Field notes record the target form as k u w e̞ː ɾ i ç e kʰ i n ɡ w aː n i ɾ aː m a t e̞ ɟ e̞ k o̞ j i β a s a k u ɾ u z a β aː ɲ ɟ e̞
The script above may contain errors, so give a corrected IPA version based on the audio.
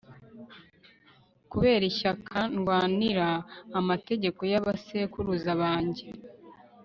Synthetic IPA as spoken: k u β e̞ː ɾ i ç a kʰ a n ɡ w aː n i ɾ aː m a t e̞ ɟ e̞ k o̞ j a β a s e k u ɾ u z a β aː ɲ ɟ e̞